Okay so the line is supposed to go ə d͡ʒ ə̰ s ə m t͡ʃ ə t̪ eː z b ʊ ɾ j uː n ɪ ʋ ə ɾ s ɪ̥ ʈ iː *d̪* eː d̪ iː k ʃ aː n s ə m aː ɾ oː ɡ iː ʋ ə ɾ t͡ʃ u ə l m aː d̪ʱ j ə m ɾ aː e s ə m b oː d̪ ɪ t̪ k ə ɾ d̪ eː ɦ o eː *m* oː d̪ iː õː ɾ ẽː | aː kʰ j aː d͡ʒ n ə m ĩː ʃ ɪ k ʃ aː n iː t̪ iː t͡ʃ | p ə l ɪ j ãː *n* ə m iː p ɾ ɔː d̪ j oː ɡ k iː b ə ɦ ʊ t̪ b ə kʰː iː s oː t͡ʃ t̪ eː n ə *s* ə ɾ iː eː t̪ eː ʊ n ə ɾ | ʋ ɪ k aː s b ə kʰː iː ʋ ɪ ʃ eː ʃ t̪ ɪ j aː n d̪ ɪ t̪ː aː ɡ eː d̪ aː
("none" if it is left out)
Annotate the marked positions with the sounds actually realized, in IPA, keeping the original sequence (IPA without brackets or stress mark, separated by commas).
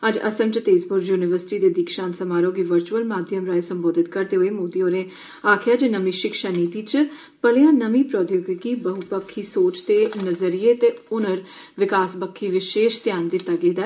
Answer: d̪, m, n, z